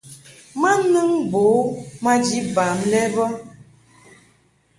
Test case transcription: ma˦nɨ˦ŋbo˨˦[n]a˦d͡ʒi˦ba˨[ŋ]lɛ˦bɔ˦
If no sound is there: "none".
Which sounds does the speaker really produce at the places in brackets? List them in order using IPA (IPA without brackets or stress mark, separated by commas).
m, m